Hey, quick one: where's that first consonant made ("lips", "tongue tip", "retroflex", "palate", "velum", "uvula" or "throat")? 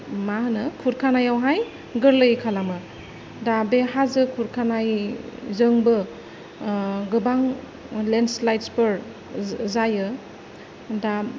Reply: lips